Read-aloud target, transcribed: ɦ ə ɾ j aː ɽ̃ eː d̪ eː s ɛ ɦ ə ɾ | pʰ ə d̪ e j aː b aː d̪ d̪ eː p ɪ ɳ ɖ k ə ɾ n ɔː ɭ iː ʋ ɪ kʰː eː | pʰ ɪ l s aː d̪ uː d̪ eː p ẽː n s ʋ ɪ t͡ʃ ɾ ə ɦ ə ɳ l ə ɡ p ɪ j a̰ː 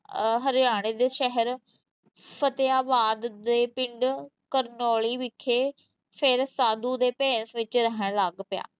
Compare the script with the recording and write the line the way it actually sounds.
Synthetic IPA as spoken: ɦ ə ɾ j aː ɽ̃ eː d̪ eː ʃ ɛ ɦ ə ɾ | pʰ ə t̪ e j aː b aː d̪ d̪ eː p ɪ ɳ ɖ k ə ɾ n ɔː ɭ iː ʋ ɪ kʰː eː | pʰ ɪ ɾ s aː d̪ uː d̪ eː p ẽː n s ʋ ɪ t͡ʃ ɾ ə ɦ ə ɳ l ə ɡ p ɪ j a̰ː

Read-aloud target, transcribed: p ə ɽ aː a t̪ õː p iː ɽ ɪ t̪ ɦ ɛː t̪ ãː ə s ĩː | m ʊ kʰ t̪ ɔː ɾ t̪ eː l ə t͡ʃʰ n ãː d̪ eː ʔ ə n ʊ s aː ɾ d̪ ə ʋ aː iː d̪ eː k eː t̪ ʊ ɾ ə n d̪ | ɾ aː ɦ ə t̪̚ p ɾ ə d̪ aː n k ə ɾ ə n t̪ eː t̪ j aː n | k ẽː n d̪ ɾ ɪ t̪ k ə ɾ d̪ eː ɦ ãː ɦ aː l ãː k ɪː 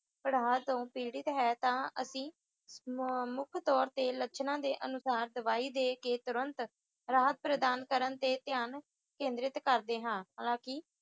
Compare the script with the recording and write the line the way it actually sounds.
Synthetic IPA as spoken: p ə ɽ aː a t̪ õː p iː ɽ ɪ t̪ ɦ ɛː t̪ ãː ə s ĩː | m ʊ kʰ t̪ ɔː ɾ t̪ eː l ə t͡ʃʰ n ãː d̪ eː ʔ ə n ʊ s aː ɾ d̪ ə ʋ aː iː d̪ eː k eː t̪ ʊ ɾ ə n t̪ | ɾ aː ɦ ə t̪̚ p ɾ ə d̪ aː n k ə ɾ ə n t̪ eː t̪ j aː n | k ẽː n d̪ ɾ ɪ t̪ k ə ɾ d̪ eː ɦ ãː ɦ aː l ãː k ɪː

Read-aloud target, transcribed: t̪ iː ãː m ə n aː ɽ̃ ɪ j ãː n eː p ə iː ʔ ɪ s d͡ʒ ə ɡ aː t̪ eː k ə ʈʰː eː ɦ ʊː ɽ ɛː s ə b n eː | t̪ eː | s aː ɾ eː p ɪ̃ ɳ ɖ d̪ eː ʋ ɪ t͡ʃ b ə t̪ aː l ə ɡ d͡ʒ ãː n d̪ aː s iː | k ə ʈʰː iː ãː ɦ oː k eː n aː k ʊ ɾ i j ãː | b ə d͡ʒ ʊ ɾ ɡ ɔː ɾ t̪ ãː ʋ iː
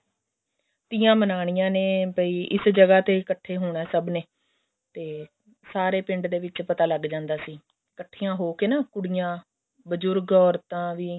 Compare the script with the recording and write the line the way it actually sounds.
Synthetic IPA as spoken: t̪ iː ãː m ə n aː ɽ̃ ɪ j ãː n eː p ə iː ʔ ɪ s d͡ʒ ə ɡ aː t̪ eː k ə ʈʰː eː ɦ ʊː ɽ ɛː s ə b n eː | t̪ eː | s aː ɾ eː p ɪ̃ ɳ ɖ d̪ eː ʋ ɪ t͡ʃ p ə t̪ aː l ə ɡ d͡ʒ ãː n d̪ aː s iː | k ə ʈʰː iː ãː ɦ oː k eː n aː k ʊ ɽ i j ãː | b ə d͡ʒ ʊ ɾ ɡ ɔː ɾ t̪ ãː ʋ iː

